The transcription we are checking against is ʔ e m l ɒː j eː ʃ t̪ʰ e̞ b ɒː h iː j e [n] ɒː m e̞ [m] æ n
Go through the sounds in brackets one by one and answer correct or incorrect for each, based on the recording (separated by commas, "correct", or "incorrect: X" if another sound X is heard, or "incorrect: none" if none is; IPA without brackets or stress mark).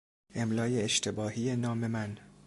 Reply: correct, correct